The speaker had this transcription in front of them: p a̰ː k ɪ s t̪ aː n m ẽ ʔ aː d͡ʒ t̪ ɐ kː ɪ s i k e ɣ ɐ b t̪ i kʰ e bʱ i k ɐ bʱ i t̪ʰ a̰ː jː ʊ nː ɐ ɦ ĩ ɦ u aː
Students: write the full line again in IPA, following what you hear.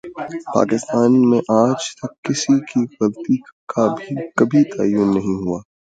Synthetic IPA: p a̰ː k ɪ s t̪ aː n m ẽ ʔ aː d͡ʒ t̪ ɐ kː ɪ s i k i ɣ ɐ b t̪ i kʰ a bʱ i k ɐ bʱ i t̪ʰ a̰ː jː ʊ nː ɐ ɦ ĩ ɦ u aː